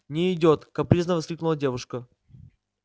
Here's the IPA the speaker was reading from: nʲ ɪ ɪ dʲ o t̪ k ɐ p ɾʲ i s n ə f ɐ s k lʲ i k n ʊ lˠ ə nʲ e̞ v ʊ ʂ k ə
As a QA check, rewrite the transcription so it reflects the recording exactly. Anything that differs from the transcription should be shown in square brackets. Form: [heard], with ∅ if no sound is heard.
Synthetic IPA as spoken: nʲ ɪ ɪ dʲ o t̪ k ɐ p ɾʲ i [z] n ə [v] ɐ s k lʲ i k n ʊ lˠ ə [dʲ] e̞ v ʊ ʂ k ə